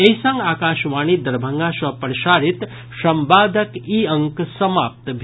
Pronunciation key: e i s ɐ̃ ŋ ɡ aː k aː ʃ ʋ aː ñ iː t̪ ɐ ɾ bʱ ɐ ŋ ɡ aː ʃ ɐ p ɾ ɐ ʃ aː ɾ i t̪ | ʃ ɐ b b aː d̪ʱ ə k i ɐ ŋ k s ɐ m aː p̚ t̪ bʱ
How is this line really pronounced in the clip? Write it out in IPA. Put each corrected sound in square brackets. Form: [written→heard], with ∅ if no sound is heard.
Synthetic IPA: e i s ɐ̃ ŋ ɡ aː k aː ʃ ʋ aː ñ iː [t̪→d̪] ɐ ɾ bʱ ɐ ŋ ɡ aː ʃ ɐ p ɾ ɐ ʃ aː ɾ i t̪ | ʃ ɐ [b→m] b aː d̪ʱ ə k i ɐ ŋ k s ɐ m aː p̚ t̪ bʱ